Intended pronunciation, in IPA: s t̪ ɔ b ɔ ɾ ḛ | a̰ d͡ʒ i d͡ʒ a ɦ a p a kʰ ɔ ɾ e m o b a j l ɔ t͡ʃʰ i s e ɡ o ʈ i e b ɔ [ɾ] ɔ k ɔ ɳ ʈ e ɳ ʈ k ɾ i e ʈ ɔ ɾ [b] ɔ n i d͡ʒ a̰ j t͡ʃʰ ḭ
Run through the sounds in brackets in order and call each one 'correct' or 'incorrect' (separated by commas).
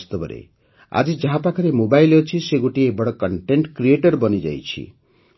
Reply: incorrect, correct